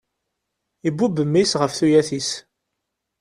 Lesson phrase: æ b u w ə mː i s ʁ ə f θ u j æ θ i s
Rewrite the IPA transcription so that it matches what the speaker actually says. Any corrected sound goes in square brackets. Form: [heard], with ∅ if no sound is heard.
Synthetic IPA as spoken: [i] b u [b] ə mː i s ʁ ə f θ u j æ θ i s